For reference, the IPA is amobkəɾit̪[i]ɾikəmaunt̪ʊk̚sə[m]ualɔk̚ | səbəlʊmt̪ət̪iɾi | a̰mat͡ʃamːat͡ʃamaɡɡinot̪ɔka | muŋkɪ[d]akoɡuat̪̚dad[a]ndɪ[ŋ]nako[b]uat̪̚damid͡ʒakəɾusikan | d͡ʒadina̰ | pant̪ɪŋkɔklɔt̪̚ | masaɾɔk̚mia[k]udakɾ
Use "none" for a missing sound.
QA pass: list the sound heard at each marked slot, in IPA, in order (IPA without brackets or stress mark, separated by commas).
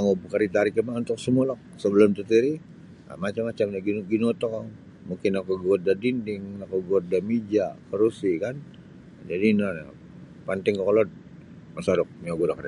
a, m, n, i, ŋ, ɡ, ɡ